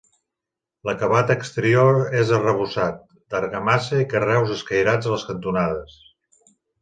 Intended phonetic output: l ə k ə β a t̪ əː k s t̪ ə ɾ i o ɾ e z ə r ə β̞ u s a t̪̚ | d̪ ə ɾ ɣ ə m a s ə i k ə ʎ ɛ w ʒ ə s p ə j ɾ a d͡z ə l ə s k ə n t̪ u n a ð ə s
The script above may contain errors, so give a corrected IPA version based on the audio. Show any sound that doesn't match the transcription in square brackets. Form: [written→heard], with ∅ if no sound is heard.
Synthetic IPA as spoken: l ə k ə β a t̪ əː k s t̪ ə ɾ i o ɾ e z ə r ə β̞ u s a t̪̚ | d̪ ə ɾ ɣ ə m a s ə i k ə [ʎ→r] ɛ w [ʒ→z] ə s [p→k] ə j ɾ a d͡z ə l ə s k ə n t̪ u n a ð ə s